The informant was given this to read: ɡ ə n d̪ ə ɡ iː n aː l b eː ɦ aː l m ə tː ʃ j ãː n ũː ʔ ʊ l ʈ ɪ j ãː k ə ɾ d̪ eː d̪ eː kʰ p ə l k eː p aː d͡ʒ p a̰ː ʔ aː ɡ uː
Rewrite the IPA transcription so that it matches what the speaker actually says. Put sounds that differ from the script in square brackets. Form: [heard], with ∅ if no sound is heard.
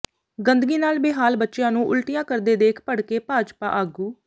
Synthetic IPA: ɡ ə n d̪ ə ɡ iː n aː l b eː ɦ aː l [b] ə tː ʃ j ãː n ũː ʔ ʊ l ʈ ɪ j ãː k ə ɾ d̪ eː d̪ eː kʰ p ə [ɽ] k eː p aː d͡ʒ p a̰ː ʔ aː ɡ uː